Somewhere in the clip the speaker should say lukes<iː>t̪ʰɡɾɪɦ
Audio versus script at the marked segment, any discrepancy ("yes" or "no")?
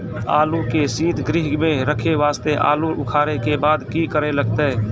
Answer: no